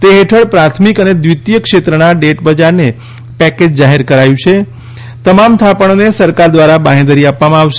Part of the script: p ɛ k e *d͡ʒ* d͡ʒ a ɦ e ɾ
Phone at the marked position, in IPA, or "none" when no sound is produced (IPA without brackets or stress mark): d͡ʒ